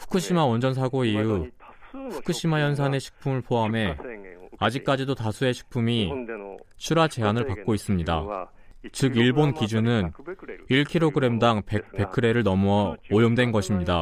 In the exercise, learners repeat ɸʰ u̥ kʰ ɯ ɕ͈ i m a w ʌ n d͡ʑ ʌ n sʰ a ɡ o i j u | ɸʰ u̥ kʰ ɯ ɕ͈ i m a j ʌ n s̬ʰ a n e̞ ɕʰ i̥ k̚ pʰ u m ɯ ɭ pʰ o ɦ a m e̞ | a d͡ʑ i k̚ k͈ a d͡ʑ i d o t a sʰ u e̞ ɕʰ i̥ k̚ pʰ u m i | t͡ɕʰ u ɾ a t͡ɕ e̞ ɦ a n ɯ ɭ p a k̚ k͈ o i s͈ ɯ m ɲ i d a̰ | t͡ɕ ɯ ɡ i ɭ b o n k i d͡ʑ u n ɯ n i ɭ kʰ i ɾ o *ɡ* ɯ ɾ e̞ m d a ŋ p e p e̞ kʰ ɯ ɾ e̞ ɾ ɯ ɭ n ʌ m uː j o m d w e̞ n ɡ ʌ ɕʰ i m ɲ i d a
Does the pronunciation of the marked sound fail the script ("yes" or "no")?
no